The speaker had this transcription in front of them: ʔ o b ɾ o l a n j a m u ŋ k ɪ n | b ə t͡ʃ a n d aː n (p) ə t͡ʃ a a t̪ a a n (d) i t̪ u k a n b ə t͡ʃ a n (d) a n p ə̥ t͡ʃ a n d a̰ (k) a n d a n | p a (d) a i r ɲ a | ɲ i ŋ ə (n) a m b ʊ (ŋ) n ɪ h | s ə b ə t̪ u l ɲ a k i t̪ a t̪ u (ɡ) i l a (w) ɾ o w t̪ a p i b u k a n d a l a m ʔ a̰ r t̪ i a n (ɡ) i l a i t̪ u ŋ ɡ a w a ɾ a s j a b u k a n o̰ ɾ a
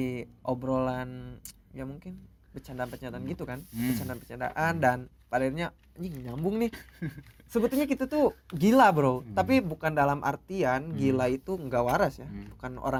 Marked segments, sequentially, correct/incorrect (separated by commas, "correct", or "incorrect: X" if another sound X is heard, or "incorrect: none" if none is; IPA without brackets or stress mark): correct, incorrect: ɡ, correct, incorrect: ʔ, correct, incorrect: ɲ, correct, correct, incorrect: b, correct